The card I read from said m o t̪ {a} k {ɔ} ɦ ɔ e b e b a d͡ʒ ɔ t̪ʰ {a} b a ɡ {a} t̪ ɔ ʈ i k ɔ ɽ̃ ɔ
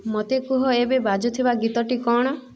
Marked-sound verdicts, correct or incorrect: incorrect, incorrect, incorrect, incorrect

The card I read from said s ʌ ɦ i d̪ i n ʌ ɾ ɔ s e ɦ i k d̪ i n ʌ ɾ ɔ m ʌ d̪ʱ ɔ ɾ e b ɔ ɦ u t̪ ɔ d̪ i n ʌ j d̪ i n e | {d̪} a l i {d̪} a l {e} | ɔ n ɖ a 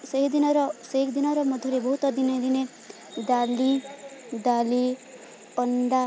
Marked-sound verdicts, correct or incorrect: correct, correct, incorrect

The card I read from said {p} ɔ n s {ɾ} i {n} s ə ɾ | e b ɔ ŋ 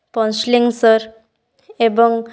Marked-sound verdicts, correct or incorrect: correct, incorrect, incorrect

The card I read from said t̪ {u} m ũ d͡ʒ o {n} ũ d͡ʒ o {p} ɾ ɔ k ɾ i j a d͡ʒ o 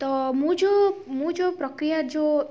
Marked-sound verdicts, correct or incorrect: incorrect, incorrect, correct

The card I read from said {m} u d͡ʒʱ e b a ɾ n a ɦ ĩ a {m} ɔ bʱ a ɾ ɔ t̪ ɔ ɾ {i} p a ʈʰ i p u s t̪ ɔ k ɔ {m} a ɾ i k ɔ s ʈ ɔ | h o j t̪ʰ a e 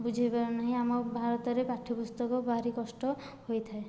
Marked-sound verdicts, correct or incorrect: incorrect, correct, incorrect, incorrect

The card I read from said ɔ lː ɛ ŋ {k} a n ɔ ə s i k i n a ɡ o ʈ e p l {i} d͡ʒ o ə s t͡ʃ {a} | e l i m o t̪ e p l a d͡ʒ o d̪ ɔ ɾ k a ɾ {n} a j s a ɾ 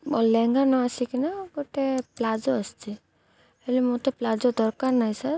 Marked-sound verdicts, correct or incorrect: incorrect, incorrect, incorrect, correct

